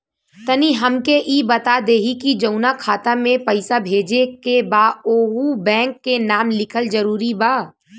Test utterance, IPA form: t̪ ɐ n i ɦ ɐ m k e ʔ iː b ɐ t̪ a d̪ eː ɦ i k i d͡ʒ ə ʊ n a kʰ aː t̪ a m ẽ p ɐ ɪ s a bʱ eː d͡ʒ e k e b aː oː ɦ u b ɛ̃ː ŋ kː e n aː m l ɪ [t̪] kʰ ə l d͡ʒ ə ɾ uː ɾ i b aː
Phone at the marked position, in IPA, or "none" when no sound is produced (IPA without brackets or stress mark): none